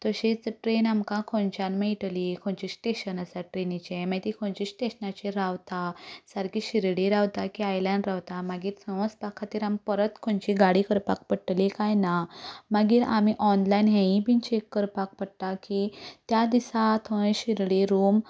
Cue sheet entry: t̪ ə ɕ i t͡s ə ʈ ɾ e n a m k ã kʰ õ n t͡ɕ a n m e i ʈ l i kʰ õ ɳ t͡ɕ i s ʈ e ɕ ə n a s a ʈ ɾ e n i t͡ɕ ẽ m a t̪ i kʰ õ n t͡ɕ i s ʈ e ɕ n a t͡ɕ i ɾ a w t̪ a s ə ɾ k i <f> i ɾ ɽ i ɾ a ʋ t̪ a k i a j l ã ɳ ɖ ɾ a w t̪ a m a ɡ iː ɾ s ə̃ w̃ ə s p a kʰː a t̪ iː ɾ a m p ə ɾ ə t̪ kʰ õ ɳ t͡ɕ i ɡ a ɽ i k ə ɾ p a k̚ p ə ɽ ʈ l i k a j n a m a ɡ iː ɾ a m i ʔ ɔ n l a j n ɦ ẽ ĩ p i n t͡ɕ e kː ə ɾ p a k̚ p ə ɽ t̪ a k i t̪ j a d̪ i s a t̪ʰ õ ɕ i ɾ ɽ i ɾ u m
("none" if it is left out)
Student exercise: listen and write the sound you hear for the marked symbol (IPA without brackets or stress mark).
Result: ɕ